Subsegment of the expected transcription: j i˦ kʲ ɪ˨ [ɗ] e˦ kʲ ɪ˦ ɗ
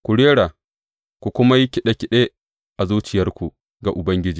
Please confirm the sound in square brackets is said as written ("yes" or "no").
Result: yes